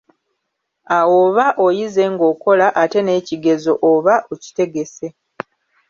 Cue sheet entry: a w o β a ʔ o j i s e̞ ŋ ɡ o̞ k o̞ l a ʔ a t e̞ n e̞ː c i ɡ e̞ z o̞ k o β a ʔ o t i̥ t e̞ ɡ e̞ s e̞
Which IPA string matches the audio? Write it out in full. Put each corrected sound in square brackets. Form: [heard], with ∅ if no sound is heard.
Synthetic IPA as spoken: a w o β a ʔ o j i [z] e̞ ŋ ɡ o̞ k o̞ l a ʔ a t e̞ n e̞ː c i ɡ e̞ z o̞ [ʔ] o β a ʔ o [c] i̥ t e̞ ɡ e̞ s e̞

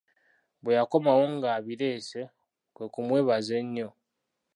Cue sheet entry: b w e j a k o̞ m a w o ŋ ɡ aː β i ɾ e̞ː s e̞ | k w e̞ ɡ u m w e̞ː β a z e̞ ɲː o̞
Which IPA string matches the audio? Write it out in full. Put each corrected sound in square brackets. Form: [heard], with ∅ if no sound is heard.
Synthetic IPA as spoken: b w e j a k o̞ m a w o ŋ ɡ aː β i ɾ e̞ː s e̞ | k w e̞ [k] u m w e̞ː β a z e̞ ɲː o̞

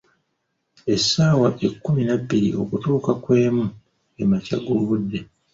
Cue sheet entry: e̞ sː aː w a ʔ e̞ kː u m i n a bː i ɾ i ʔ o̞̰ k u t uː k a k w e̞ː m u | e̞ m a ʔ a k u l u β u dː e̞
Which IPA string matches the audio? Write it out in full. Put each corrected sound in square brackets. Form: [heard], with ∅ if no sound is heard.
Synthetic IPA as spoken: e̞ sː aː w a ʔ e̞ kː u m i n a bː i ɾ i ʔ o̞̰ k u t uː k a k w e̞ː m u | e̞ m a [c] a [ɡ] u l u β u dː e̞

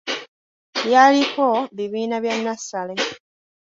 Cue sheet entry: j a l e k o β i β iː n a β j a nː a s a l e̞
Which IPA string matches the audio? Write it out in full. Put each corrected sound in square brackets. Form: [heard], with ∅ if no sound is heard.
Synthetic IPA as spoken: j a l [i] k o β i β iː n a β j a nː a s a l e̞

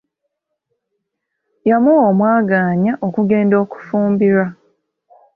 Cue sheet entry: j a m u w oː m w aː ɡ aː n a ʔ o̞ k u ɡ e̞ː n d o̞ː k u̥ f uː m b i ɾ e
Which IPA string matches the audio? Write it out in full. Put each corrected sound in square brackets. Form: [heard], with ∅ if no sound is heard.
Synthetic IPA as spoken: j a m u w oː m w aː ɡ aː [ɲ] a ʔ o̞ k u ɡ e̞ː n d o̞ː k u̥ f uː m b i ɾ [a]

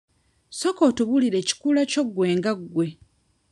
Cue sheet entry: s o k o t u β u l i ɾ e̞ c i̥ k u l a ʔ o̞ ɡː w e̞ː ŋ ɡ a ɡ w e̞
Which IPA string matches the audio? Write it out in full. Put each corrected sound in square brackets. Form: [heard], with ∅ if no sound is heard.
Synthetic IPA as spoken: s o k o t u β u l i ɾ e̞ c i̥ k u l a [c] o̞ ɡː w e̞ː ŋ ɡ a ɡ w e̞

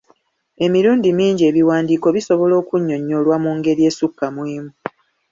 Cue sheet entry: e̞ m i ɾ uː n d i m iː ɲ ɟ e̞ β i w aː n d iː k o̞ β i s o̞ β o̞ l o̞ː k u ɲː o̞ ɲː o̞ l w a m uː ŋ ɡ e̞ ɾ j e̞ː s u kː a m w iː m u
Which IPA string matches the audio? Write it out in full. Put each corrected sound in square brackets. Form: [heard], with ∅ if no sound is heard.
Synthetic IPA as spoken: e̞ m i ɾ uː n d i m iː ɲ ɟ e̞ β i w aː n d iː k o̞ β i s o̞ β o̞ l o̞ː k u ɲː o̞ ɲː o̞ l w a m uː ŋ ɡ e̞ ɾ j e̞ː s u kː a m w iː m u

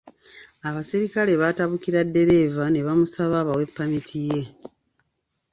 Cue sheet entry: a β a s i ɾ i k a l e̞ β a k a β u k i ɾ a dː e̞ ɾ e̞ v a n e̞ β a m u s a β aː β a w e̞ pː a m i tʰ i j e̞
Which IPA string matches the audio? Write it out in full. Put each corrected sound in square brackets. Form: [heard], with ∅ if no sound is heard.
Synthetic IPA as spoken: a β a s i ɾ i k a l e̞ β a [t] a β u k i ɾ a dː e̞ ɾ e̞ v a n e̞ β a m u s a β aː β a w e̞ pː a m i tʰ i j e̞

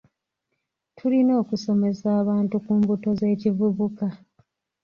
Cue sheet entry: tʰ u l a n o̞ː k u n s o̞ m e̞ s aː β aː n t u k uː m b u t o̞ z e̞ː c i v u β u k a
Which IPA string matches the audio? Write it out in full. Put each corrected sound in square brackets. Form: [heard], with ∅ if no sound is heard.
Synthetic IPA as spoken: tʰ u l [i] n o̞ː k u [∅] s o̞ m e̞ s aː β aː n t u k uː m b u t o̞ z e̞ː c i v u β u k a

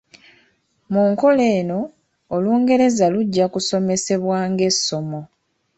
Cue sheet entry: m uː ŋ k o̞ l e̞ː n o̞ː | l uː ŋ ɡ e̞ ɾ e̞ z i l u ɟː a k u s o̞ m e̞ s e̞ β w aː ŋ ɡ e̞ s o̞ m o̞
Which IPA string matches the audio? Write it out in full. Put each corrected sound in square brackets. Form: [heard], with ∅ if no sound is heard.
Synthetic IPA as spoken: m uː ŋ k o̞ l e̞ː n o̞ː | l uː ŋ ɡ e̞ ɾ e̞ z [a] l u ɟː a k u s o̞ m e̞ s e̞ β w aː ŋ ɡ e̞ s o̞ m o̞

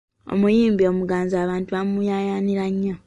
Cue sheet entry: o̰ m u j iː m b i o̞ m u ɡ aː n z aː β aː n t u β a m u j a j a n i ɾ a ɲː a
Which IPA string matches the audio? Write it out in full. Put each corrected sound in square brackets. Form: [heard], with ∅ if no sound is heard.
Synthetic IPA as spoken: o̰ m u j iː m b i o̞ m u ɡ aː n z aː β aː n t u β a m u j a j a n i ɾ a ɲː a

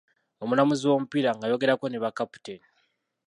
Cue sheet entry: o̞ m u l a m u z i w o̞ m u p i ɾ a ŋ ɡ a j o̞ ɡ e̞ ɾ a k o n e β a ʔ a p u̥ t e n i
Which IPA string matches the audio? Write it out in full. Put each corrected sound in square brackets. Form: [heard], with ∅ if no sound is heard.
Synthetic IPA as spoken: o̞ m u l a m u z i w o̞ m u p i ɾ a ŋ ɡ a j o̞ ɡ e̞ ɾ a k o n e β a [k] a p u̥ t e n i

